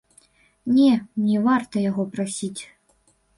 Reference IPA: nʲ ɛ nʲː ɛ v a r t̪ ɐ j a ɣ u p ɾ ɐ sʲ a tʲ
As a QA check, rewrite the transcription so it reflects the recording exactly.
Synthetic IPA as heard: nʲ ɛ nʲ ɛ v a r t̪ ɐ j a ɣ ɔ p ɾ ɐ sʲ i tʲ